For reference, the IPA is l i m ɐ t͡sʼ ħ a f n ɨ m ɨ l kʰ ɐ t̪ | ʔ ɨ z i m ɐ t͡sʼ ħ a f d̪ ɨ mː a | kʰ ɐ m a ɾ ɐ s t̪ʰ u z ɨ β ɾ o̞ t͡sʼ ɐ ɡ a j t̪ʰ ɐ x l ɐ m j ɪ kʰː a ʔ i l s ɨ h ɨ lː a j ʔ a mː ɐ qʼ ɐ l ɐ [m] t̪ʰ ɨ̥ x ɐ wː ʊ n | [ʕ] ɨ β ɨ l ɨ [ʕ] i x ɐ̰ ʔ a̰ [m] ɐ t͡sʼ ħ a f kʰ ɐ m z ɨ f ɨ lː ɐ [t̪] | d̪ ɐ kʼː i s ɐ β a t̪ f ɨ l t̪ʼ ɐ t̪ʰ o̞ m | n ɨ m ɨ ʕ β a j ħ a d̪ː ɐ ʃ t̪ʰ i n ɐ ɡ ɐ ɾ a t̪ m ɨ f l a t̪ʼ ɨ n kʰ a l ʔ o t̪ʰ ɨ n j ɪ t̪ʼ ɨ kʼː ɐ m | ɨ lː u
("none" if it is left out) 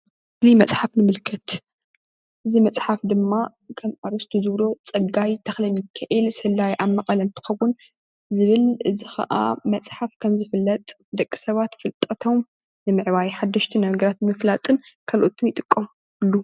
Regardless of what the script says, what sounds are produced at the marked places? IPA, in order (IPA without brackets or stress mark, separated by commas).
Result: n, z, z, m, t̪ʼ